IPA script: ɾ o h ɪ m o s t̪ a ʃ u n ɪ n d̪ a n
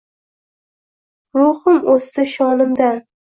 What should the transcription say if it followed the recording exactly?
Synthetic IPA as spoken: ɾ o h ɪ m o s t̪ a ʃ ɒ n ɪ m d̪ a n